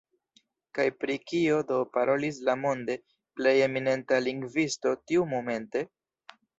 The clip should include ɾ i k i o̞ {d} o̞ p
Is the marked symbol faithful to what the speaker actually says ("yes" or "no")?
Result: yes